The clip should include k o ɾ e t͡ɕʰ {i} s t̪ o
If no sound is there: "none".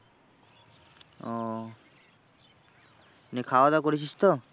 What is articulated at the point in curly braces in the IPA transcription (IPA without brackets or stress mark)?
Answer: i